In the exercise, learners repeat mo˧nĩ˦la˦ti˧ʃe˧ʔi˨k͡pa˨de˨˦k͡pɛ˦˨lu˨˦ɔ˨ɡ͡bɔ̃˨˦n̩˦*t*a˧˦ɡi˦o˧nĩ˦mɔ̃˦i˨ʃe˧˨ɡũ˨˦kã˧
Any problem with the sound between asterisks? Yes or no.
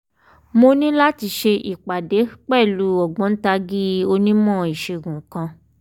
no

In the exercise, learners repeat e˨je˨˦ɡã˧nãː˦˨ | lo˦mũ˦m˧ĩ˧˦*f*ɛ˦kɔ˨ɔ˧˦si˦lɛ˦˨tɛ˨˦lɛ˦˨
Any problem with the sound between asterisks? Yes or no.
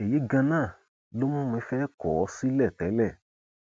no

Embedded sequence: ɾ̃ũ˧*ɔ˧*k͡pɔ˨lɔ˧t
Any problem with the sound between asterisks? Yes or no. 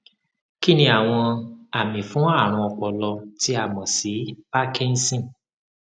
no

